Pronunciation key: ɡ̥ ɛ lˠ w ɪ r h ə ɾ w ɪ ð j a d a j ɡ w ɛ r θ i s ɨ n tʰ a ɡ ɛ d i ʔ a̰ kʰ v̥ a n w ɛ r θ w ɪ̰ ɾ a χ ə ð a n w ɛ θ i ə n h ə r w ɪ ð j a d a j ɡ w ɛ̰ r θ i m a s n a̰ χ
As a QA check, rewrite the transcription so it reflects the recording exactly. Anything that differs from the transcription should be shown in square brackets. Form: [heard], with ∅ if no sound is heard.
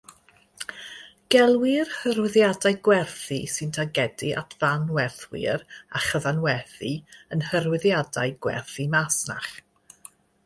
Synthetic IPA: ɡ̥ ɛ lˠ w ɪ r h ə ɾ w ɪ ð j a d a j ɡ w ɛ r θ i s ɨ n tʰ a ɡ ɛ d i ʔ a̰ [tʰ] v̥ a n w ɛ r θ w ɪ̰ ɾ a χ ə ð a n w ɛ θ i ə n h ə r w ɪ ð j a d a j ɡ w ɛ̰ r θ i m a s n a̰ χ